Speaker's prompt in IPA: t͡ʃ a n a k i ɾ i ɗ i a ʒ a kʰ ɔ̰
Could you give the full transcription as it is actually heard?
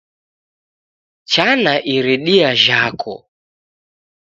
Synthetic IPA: t͡ʃ a n a ʔ i ɾ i ɗ i a ʒ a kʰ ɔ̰